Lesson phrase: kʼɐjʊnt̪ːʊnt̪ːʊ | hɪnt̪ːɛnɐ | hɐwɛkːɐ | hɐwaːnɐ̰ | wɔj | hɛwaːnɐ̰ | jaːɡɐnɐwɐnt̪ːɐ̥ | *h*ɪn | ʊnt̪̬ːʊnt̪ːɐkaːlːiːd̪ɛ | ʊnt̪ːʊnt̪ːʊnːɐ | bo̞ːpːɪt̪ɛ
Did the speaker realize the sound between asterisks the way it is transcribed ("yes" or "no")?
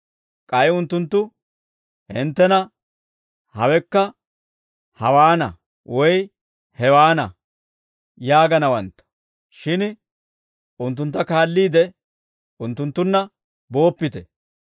no